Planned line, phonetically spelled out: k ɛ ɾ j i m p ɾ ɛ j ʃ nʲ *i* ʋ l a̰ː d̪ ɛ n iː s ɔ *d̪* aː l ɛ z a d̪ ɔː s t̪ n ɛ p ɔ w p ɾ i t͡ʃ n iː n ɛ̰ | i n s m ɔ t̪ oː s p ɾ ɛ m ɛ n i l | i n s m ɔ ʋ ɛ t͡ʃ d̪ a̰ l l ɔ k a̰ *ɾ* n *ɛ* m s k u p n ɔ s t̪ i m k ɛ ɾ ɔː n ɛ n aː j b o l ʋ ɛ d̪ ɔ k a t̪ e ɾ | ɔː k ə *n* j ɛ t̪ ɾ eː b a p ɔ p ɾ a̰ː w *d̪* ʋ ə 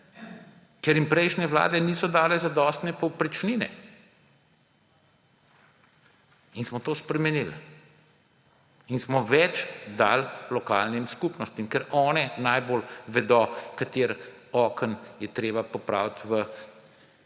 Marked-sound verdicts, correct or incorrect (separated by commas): incorrect, correct, incorrect, incorrect, correct, incorrect